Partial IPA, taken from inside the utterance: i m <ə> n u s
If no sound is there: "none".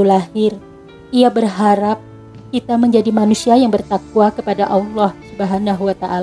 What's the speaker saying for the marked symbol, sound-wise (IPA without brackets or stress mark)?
a